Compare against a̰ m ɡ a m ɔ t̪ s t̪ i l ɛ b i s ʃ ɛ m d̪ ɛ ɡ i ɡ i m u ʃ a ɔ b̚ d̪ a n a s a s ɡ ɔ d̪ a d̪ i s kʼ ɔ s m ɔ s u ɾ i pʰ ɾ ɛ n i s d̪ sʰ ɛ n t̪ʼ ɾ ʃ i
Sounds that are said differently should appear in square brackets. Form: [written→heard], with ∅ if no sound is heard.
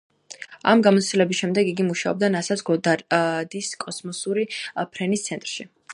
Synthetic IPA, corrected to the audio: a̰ m ɡ a m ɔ t̪ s t̪ i l ɛ b i s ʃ ɛ m d̪ ɛ ɡ i ɡ i m u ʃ a ɔ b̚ d̪ a n a s a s ɡ ɔ d̪ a d̪ i s kʼ ɔ s m ɔ s u ɾ i pʰ ɾ ɛ n i s [d̪→t̪] sʰ ɛ n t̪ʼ ɾ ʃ i